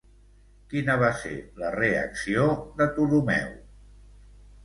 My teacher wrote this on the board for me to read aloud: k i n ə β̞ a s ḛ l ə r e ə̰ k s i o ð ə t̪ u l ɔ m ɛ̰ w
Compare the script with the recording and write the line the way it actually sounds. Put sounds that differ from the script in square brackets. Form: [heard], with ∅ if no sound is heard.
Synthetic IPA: k i n ə β̞ a s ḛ l ə r e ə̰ k s i o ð ə t̪ u l [u] m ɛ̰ w